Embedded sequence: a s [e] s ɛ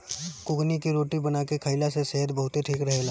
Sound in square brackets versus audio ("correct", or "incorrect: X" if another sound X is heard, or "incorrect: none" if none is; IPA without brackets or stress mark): correct